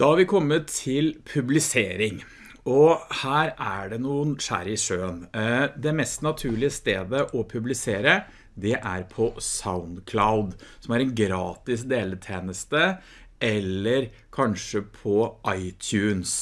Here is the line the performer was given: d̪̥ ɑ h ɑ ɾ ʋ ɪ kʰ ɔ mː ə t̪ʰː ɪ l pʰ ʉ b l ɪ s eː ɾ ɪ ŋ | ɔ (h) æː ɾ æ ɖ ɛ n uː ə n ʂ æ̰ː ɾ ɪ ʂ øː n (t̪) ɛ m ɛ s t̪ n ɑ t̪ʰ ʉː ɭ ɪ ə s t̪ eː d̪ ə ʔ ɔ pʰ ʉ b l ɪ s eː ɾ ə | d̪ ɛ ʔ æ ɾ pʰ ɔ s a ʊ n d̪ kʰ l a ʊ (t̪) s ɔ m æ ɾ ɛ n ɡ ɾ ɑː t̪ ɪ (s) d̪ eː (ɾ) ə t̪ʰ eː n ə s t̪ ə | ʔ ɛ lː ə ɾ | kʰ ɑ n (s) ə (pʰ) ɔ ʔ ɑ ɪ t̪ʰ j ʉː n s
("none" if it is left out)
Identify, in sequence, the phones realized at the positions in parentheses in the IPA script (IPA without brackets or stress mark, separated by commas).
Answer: h, d̪, d̪, s, l, ʂ, pʰ